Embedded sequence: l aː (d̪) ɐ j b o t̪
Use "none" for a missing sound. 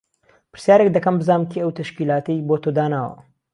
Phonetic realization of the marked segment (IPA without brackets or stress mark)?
t̪